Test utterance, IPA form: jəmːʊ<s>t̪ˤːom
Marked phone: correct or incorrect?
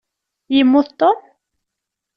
incorrect